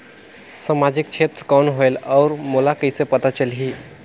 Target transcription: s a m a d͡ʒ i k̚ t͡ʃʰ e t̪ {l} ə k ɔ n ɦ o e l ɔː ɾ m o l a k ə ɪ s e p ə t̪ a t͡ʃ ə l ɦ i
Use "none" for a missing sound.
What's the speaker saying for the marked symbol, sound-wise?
ɾ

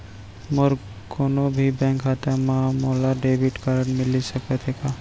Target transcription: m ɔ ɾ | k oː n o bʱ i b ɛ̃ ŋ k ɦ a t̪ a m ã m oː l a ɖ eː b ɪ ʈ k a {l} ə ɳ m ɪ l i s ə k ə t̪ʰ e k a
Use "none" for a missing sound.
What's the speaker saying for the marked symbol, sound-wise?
ɾ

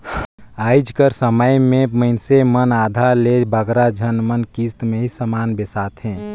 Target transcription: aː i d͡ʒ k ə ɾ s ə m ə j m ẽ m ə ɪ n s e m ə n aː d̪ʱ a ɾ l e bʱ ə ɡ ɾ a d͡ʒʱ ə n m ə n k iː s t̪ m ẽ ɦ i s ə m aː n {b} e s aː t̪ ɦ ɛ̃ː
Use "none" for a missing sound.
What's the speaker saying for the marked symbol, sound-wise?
b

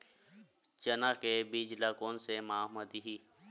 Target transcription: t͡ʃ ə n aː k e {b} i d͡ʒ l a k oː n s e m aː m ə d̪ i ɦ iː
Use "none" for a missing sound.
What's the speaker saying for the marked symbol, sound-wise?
b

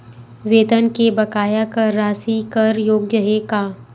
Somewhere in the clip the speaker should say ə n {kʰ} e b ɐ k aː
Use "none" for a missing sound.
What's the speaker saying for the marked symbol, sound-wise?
k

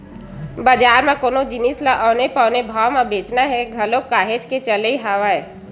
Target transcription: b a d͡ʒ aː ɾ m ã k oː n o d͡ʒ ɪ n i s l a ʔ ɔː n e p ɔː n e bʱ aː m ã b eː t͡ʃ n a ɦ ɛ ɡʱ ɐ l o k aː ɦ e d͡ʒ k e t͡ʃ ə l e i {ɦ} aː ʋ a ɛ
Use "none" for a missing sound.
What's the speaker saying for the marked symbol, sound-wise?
ɦ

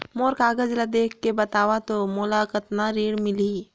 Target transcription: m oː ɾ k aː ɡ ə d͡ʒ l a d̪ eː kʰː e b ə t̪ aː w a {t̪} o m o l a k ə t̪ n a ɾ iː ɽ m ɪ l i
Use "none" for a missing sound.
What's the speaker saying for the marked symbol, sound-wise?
t̪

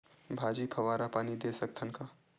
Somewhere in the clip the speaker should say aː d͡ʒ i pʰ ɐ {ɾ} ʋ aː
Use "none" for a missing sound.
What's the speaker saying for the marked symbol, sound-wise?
none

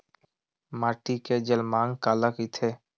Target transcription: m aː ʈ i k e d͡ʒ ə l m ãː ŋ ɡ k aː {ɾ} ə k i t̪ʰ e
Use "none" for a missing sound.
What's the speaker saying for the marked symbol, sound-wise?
l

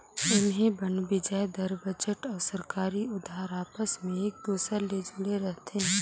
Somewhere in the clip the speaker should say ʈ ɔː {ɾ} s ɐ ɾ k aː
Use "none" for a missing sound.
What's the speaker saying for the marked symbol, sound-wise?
ɾ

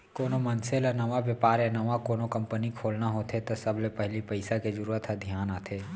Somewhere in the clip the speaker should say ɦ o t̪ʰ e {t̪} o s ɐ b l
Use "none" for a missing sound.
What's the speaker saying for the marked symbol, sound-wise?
t̪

